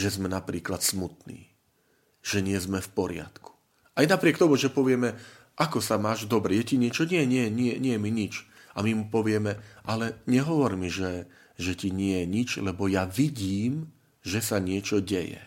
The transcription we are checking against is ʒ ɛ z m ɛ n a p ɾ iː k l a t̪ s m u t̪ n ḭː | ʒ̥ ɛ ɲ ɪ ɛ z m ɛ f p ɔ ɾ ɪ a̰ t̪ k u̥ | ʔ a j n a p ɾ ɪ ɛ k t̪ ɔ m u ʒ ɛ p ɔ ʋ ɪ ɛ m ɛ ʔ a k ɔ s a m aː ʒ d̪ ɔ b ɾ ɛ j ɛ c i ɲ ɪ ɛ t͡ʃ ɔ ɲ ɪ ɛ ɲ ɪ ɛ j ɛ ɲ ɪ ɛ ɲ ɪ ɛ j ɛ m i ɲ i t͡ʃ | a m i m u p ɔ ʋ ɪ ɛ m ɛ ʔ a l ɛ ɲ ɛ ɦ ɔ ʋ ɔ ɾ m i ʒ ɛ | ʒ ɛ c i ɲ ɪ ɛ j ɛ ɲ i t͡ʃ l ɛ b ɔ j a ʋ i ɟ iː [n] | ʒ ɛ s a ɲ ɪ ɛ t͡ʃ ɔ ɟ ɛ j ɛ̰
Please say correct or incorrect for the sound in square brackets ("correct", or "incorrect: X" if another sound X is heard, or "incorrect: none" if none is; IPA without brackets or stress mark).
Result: incorrect: m